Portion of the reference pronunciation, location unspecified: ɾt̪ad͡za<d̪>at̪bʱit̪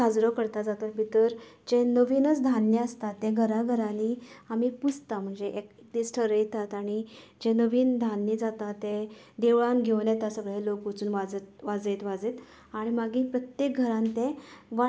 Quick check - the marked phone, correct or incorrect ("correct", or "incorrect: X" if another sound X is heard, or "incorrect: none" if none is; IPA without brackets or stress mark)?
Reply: incorrect: t̪